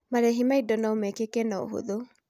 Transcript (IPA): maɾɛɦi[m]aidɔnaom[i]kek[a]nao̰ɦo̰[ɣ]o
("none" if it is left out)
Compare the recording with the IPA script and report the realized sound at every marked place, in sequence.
m, ɛ, ɛ, ð

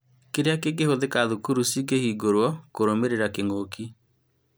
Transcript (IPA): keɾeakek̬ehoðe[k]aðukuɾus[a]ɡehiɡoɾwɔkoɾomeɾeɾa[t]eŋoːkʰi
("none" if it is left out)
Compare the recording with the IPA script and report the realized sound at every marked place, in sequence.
k, i, k

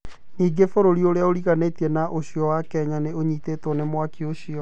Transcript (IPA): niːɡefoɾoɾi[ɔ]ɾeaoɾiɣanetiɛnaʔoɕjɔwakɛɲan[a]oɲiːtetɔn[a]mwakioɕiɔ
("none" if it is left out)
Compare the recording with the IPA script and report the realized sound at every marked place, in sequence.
o, e, e

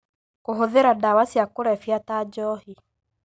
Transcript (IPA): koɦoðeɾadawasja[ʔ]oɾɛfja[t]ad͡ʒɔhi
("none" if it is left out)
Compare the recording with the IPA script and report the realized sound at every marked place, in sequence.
k, t

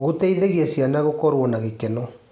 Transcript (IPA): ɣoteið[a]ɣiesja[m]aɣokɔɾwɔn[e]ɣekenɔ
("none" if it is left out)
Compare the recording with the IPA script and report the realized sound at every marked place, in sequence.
e, n, a

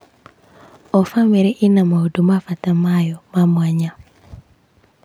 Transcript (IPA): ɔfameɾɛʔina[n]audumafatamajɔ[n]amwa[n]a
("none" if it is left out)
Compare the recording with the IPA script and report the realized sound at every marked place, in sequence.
m, m, ɲ

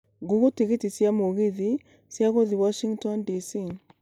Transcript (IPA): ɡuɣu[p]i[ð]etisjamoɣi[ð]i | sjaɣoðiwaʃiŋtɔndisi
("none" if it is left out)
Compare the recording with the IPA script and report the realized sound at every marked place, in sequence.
t, ɣ, ð

